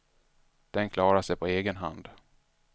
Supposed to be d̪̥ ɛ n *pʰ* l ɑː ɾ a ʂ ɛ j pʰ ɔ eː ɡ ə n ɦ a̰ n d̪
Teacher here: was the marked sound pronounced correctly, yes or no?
no